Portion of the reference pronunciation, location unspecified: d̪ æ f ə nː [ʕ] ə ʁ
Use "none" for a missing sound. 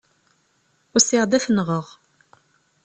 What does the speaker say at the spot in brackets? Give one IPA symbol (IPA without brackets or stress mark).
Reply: ʁ